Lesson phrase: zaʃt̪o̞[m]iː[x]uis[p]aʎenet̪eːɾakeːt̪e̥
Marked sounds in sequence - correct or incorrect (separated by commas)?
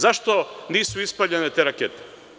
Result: incorrect, incorrect, correct